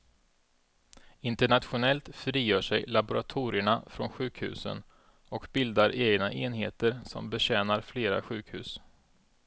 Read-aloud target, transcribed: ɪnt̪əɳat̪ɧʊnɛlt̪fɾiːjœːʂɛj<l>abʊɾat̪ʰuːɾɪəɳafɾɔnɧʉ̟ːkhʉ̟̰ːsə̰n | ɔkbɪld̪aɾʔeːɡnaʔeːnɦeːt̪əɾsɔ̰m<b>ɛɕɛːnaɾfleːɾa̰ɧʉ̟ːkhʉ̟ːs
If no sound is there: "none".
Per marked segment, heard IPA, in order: l, b

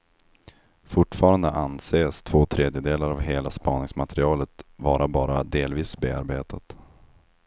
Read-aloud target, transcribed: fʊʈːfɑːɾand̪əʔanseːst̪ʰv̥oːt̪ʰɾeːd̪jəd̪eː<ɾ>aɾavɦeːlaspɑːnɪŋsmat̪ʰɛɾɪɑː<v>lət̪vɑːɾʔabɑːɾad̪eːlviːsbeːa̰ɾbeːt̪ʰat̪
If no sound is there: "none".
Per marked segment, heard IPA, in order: l, none

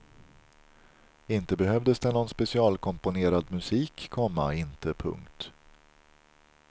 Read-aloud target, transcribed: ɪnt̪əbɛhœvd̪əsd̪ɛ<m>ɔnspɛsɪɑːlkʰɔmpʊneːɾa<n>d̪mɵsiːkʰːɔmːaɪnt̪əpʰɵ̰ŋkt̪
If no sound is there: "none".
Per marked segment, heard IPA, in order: n, none

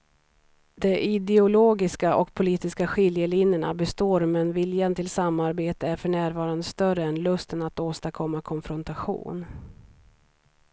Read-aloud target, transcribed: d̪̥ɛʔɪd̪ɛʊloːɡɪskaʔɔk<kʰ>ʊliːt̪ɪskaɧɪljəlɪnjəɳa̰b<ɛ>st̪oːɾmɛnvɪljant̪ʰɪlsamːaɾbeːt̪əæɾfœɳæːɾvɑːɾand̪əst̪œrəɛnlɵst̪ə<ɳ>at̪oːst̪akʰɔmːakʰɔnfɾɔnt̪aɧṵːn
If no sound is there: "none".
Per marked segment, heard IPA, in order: pʰ, ɛ, n

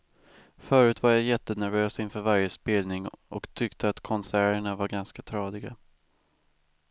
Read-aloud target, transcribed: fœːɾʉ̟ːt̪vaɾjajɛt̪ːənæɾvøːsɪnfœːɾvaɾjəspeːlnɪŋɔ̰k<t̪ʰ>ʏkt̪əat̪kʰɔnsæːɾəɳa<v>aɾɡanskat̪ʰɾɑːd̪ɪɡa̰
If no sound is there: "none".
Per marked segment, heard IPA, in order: t̪ʰ, v

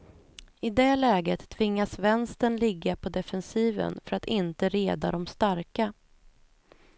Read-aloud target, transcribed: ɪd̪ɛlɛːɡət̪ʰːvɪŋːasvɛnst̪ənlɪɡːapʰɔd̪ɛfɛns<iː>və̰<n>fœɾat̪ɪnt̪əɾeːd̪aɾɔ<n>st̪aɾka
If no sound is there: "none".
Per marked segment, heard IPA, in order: iː, n, m

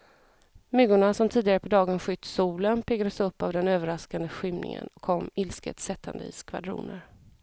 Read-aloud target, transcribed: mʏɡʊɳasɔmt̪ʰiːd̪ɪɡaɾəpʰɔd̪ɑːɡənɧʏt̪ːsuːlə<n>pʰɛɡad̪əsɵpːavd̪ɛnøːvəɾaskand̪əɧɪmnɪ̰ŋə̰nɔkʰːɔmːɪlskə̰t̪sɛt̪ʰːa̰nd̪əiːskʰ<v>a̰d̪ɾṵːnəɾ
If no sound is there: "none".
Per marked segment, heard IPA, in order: n, v

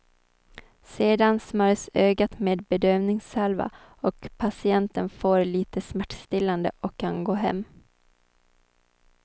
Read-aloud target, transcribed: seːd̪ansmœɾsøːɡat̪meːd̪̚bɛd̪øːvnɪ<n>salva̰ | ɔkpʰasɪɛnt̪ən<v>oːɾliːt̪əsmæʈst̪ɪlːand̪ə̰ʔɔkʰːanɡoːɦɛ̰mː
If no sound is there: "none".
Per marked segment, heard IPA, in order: ŋ, f

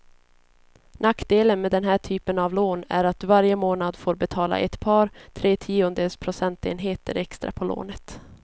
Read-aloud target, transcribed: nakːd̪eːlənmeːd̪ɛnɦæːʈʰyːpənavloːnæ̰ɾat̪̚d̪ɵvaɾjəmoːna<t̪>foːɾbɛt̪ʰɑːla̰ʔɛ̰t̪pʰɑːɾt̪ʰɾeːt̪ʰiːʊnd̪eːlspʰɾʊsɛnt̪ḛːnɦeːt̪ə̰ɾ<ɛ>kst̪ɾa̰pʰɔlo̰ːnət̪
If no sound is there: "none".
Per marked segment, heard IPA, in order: d̪, ɛ

